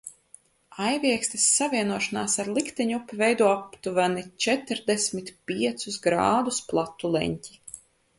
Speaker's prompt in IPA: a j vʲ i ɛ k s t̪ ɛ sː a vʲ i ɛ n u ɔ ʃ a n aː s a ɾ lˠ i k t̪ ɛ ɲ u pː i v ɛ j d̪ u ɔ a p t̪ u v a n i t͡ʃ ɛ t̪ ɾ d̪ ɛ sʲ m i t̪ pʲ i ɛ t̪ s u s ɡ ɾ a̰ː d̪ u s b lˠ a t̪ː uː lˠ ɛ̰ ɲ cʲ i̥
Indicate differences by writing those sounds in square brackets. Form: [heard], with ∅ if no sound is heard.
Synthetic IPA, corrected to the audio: a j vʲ i ɛ k s t̪ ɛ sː a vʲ i ɛ n u ɔ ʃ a n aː s a ɾ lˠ i k t̪ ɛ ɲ u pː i v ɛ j d̪ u ɔ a p t̪ u v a n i t͡ʃ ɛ t̪ ɾ d̪ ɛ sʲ m i t̪ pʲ i ɛ t̪ s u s ɡ ɾ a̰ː d̪ u s [p] lˠ a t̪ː [u] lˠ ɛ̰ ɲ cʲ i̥